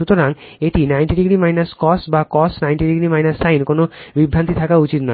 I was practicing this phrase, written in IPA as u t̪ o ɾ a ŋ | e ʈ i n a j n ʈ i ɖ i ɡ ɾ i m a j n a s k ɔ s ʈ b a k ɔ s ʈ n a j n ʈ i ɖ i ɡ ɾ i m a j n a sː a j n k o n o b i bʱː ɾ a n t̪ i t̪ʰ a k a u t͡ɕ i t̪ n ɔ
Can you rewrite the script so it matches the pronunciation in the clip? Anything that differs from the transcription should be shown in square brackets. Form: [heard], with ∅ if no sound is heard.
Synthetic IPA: u t̪ o ɾ a ŋ | e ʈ i n a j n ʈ i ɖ i ɡ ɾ i m a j n a s k ɔ s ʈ b a k ɔ s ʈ n a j n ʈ i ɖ i ɡ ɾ i m a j n a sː a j n k o n o b i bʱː ɾ a n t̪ i t̪ʰ a k a u t͡ɕ i t̪ n ɔ

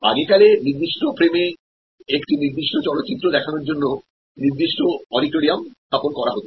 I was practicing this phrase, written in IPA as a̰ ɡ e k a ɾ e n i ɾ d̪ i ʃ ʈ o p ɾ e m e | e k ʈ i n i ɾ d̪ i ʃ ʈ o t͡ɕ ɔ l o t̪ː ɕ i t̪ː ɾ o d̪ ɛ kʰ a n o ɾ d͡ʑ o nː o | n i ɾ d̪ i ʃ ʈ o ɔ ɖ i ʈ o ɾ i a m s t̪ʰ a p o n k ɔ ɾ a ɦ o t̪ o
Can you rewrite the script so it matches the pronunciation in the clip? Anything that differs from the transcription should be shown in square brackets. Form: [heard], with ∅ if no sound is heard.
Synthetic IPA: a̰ ɡ e k a [l] e n i ɾ d̪ i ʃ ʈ o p ɾ e m e | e k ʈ i n i ɾ d̪ i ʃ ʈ o t͡ɕ ɔ l o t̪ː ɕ i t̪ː ɾ o d̪ ɛ kʰ a n o ɾ d͡ʑ o nː o | n i ɾ d̪ i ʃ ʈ o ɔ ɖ i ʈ o ɾ i a m s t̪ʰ a p o n k ɔ ɾ a ɦ o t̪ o

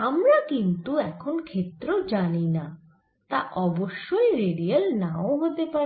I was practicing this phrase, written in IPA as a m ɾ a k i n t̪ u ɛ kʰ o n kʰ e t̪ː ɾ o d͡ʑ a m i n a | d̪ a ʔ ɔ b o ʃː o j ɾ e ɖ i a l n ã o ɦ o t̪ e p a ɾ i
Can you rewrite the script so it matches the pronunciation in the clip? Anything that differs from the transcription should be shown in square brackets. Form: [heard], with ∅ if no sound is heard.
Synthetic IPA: a m ɾ a k i n t̪ u ɛ kʰ o n kʰ e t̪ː ɾ o d͡ʑ a [n] i n a | [t̪] a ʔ ɔ b o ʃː o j ɾ e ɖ i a l n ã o ɦ o t̪ e p a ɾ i

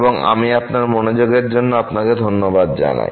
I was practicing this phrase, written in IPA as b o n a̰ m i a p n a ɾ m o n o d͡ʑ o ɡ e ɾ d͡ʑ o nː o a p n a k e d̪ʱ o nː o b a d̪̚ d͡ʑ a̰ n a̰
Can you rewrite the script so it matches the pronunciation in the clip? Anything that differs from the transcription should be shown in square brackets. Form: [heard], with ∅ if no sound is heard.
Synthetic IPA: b o [ŋ] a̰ m i a p n a ɾ m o n o d͡ʑ o ɡ e ɾ d͡ʑ o nː o a p n a k e d̪ʱ o nː o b a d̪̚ d͡ʑ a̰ n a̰

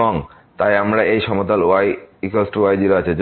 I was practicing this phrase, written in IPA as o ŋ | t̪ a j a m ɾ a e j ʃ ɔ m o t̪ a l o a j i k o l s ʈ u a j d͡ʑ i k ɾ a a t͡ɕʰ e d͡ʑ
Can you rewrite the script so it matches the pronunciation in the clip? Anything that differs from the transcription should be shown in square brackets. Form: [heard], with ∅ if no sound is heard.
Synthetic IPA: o ŋ | t̪ a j a m ɾ a e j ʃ ɔ m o t̪ a l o a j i k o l s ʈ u a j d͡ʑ i [∅] ɾ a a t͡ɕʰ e d͡ʑ

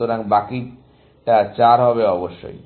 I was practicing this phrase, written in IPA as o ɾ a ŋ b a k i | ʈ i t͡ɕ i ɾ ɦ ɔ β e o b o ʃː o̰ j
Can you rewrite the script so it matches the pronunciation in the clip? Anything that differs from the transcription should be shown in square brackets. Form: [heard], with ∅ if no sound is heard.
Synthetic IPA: o ɾ a ŋ b a k i | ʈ [a] t͡ɕ [a] ɾ ɦ ɔ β e [ɔ] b o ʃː o̰ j

